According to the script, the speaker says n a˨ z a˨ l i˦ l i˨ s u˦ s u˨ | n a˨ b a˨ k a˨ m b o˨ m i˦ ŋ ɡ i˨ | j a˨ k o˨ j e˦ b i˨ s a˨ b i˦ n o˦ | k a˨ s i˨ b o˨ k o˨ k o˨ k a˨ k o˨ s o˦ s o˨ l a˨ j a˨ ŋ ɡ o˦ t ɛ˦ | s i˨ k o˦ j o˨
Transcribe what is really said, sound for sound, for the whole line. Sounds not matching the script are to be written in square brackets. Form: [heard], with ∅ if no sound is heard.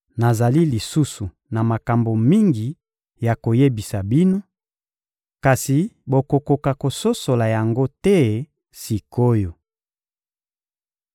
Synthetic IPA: n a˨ z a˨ l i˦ l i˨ s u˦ s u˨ | n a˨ [m] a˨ k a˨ m b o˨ m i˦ ŋ ɡ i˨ | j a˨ k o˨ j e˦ b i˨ s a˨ b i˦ n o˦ | k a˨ s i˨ b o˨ k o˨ k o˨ k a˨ k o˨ s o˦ s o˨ l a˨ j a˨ ŋ ɡ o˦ t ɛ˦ | s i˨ k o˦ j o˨